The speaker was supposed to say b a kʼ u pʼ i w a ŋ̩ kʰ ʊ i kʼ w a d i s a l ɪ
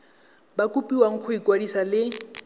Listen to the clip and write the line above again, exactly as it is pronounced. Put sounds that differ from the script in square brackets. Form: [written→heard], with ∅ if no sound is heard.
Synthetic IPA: b a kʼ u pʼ i w a ŋ̩ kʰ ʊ i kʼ w a d i s a l ɪ